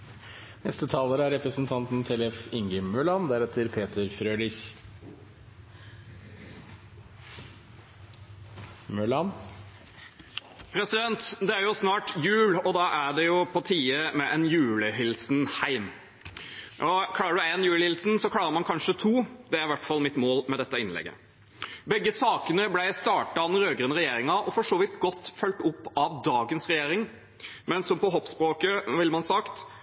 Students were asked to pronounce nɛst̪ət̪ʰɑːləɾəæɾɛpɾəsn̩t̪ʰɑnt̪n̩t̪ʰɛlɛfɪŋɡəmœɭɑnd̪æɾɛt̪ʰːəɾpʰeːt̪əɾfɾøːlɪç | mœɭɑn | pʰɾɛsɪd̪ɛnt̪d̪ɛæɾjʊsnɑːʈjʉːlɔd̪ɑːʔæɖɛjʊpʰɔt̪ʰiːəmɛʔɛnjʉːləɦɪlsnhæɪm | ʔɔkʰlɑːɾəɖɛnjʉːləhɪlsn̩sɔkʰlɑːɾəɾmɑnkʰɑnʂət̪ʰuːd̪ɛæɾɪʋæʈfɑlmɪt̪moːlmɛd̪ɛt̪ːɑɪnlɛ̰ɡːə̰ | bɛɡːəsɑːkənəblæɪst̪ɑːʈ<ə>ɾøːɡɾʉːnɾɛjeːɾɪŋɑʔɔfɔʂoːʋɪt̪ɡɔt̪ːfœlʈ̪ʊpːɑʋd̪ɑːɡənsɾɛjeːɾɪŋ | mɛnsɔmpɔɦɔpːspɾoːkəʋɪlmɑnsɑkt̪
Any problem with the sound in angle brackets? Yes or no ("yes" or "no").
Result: yes